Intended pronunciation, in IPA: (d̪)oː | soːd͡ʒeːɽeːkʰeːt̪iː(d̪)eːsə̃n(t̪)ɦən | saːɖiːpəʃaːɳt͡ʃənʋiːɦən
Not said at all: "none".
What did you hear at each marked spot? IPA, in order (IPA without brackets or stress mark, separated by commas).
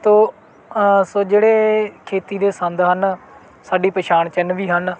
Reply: t̪, d̪, d̪